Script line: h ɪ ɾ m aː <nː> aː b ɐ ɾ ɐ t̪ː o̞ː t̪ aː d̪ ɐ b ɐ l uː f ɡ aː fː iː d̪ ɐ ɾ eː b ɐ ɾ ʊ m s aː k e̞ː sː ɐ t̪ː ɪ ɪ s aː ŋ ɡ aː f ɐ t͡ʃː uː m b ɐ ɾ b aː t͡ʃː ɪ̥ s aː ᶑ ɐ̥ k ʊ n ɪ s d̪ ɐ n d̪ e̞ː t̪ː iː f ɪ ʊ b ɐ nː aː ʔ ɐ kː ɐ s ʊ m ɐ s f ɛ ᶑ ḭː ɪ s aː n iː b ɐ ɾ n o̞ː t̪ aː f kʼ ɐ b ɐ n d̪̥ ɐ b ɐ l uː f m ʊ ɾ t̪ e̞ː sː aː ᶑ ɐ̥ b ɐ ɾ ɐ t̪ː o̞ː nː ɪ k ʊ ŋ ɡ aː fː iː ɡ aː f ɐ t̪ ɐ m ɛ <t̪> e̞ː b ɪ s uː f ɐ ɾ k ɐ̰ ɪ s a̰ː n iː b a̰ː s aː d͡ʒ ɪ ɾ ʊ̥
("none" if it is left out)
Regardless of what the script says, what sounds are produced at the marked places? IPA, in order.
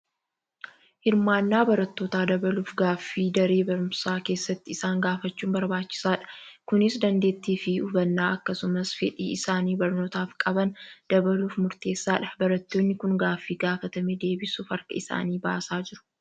nː, d̪

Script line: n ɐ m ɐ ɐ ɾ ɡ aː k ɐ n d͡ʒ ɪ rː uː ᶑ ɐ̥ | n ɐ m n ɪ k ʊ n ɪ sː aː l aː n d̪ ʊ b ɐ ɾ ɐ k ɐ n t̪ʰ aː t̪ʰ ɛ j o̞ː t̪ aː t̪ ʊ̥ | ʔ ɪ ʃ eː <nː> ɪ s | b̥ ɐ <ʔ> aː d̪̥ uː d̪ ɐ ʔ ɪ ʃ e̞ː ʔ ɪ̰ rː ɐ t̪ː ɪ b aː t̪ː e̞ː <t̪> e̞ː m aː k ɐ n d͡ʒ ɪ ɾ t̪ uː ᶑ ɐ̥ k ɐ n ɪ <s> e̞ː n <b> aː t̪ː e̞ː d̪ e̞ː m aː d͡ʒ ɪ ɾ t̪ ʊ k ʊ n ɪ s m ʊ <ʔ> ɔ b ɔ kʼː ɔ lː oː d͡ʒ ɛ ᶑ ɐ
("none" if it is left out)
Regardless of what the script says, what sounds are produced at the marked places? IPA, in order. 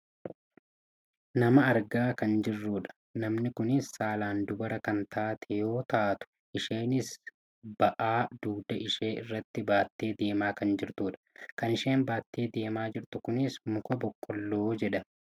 n, ʔ, d̪, ʃ, b, k

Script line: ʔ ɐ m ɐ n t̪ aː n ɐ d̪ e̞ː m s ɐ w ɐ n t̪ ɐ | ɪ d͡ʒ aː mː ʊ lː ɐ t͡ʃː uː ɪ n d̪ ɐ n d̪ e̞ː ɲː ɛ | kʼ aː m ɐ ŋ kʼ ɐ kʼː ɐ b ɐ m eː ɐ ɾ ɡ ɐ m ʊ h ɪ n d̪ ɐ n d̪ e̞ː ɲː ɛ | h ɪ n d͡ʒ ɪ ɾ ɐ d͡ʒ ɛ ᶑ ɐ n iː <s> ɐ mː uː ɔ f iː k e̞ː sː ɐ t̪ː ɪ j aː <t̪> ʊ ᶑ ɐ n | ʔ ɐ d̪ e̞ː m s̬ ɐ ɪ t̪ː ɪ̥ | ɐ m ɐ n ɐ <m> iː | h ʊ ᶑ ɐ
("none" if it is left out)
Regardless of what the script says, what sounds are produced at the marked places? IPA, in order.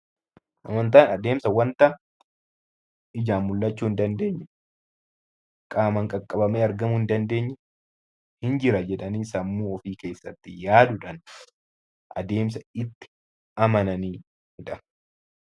s, d̪, n

